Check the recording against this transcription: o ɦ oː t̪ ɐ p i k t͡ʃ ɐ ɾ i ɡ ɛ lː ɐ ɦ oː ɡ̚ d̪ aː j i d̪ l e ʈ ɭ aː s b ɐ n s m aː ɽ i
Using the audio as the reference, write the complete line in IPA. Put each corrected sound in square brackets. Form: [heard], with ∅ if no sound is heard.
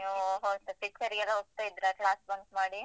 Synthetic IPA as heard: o ɦ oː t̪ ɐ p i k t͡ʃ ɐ ɾ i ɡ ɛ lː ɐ ɦ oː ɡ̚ [t̪] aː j i d̪ [ɾ] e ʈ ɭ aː s b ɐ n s m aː ɽ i